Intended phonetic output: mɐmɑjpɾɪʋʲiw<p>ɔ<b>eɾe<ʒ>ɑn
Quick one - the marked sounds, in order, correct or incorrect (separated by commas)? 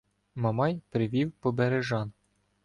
correct, correct, correct